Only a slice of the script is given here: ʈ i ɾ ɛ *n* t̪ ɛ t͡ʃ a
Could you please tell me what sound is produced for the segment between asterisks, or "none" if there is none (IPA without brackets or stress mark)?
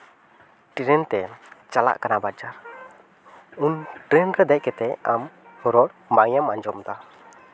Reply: n